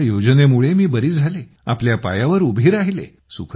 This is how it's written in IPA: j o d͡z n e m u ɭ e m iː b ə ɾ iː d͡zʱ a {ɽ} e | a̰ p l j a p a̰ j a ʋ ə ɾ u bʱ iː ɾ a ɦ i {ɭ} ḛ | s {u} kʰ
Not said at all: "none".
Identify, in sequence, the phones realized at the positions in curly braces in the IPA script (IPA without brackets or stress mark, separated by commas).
l, l, u